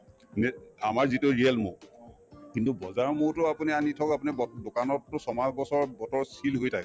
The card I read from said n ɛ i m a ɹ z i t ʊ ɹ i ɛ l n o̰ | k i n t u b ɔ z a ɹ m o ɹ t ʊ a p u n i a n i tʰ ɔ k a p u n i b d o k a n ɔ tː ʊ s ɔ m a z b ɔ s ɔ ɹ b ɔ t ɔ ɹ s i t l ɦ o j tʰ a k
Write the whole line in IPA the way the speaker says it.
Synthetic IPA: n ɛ a m a ɹ z i t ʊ ɹ i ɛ l m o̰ | k i n t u b ɔ z a ɹ m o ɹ t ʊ a p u n i a n i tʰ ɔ k a p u n i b d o k a n ɔ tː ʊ s ɔ m a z b ɔ s ɔ ɹ b ɔ t ɔ ɹ s i l ɦ o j tʰ a k